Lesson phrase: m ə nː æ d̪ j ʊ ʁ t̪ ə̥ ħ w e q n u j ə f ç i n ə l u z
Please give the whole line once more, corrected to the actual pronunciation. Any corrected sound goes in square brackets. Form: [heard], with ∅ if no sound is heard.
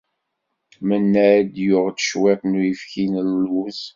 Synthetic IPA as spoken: m ə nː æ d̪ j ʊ ʁ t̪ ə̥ [ʃ] w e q n u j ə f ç i n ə l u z